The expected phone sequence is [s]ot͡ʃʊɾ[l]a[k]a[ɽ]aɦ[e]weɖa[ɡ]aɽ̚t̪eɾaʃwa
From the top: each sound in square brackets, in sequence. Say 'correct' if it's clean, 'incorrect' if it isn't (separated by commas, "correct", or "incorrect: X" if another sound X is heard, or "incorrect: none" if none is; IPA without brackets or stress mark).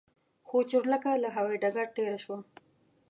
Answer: incorrect: x, correct, correct, incorrect: l, incorrect: a, correct